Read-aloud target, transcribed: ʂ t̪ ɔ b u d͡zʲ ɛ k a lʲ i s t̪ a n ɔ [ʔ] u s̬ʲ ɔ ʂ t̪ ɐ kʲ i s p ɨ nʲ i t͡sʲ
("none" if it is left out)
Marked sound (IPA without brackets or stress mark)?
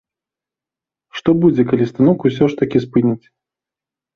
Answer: k